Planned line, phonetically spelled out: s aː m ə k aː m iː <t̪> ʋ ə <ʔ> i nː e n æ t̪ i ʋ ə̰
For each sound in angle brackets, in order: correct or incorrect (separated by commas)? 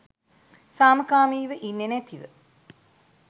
incorrect, correct